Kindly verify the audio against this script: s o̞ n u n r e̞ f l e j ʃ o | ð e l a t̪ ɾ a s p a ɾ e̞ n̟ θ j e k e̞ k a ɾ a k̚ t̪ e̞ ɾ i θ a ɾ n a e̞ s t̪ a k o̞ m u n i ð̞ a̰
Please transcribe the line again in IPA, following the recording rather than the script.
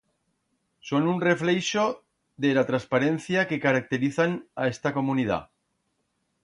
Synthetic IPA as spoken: s o̞ n u n r e̞ f l e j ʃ o | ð e l a t̪ ɾ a s p a ɾ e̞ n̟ θ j a k e̞ k a ɾ a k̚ t̪ e̞ ɾ i θ a n a e̞ s t̪ a k o̞ m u n i ð̞ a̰